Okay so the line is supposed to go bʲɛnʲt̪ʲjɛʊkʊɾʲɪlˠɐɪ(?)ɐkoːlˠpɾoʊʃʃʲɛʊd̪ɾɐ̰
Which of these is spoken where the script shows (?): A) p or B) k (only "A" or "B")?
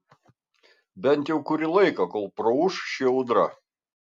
B